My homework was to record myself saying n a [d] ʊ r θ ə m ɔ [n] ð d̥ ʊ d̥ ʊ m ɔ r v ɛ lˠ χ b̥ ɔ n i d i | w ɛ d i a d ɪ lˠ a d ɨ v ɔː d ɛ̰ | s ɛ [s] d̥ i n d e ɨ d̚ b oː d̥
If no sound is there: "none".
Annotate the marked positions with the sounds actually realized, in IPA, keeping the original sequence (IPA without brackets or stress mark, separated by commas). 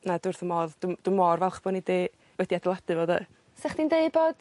d, none, χ